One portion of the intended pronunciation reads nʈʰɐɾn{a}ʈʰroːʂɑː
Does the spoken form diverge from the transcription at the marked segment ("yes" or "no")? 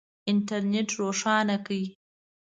yes